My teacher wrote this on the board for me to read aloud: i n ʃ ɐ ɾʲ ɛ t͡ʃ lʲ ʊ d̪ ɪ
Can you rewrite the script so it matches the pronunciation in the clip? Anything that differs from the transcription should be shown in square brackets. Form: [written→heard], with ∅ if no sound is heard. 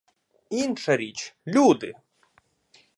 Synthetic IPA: i n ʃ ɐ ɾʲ [ɛ→i] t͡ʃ lʲ [ʊ→u] d̪ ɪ